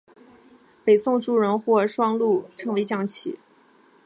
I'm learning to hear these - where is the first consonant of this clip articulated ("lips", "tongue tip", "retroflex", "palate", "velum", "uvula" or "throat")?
lips